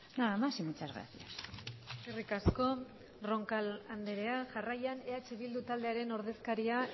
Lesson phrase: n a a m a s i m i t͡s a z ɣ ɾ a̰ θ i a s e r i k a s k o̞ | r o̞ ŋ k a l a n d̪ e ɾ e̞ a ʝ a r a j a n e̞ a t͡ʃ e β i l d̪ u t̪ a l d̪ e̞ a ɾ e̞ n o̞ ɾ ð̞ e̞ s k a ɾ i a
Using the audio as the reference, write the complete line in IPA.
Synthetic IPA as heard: n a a m a s i m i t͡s a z ɣ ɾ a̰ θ i a s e r i k a s k o̞ | r o̞ ŋ k a l a n d̪ e ɾ e̞ a ʝ a r a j a n e̞ a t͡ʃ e β i l d̪ u t̪ a l d̪ e̞ a ɾ e̞ n o̞ ɾ ð̞ e̞ s k a ɾ i a